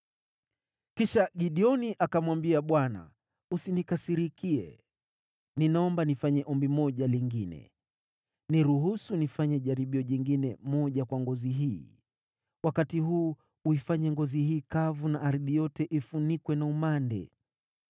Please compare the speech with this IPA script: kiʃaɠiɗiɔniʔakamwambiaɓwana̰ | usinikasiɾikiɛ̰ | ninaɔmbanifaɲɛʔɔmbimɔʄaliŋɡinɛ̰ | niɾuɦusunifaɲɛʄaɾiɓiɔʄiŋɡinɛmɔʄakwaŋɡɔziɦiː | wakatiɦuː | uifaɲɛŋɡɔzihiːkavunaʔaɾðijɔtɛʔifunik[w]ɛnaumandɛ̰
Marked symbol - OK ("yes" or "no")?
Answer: yes